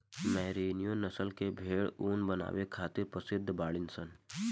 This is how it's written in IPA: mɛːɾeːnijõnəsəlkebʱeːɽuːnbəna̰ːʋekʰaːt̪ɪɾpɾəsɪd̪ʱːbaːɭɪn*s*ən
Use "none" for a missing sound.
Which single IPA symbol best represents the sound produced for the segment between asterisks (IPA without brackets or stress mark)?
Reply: s